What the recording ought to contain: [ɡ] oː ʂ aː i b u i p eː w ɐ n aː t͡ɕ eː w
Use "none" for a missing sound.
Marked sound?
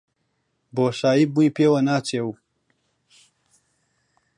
b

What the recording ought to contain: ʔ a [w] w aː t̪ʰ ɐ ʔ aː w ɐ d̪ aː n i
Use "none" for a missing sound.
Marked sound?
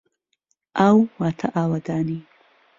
w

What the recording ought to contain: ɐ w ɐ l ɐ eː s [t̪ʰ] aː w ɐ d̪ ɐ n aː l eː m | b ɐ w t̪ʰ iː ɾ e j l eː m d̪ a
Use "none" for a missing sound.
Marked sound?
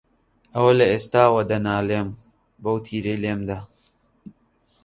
t̪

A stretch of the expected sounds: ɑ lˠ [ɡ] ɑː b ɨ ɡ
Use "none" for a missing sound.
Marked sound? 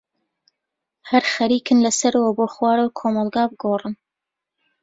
ɡ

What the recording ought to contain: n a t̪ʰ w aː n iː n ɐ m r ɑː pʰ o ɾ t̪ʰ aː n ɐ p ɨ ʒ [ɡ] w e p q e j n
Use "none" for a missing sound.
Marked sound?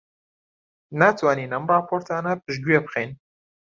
ɡ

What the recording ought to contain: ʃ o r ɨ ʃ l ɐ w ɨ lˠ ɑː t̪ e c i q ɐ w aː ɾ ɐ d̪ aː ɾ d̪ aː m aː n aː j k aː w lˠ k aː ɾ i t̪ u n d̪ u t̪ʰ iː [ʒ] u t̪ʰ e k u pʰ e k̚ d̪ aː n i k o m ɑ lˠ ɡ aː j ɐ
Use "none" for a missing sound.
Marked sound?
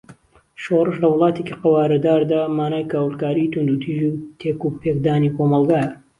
ʒ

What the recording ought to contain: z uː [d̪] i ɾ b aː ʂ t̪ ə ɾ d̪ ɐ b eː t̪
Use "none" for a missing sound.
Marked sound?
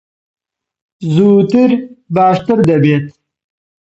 t̪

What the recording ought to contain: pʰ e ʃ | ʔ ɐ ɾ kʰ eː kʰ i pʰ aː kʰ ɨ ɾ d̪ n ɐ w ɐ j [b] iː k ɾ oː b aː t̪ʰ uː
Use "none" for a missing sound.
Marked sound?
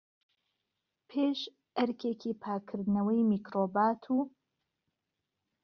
m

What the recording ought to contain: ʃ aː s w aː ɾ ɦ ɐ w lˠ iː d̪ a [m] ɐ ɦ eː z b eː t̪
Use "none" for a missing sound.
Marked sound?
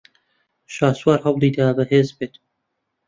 b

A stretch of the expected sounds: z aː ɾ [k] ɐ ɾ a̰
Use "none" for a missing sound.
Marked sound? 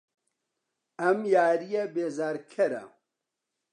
kʰ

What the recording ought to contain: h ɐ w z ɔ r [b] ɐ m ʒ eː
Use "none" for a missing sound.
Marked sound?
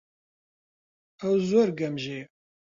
ɡ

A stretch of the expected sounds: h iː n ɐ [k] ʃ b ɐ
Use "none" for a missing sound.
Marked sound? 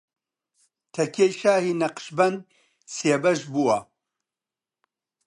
q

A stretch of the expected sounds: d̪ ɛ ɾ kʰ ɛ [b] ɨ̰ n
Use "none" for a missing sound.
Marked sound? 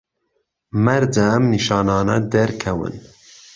w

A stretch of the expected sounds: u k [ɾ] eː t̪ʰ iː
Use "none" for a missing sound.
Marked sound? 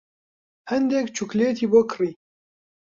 l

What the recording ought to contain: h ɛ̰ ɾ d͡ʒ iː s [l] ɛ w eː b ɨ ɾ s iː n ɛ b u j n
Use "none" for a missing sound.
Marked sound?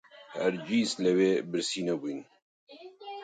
l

